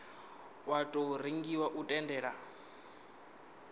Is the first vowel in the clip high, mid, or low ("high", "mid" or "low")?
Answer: low